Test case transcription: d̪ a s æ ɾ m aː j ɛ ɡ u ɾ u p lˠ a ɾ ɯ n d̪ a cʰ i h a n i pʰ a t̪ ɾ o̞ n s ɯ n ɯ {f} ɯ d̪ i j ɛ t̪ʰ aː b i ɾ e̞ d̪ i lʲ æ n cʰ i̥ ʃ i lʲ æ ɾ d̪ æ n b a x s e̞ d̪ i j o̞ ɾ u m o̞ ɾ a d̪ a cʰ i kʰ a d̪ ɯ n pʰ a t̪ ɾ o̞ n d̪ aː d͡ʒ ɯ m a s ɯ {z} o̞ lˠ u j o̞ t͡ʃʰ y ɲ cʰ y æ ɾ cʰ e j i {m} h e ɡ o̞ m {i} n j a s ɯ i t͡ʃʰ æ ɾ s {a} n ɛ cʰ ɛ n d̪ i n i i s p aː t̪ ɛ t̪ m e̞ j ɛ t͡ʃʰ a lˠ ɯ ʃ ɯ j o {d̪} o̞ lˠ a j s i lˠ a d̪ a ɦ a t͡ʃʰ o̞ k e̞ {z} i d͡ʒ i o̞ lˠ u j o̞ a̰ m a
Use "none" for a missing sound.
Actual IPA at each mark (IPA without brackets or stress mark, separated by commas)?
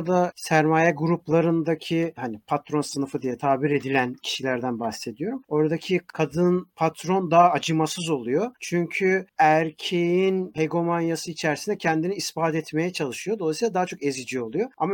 f, z, n, a, i, d̪, z